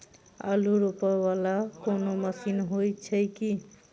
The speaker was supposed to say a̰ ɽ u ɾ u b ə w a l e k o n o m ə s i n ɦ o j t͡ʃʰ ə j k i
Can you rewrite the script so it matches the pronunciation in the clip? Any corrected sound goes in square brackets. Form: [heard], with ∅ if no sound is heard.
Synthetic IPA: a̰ [l] u ɾ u [p] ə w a l [a] k o n o m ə s i n ɦ o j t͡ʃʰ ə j k i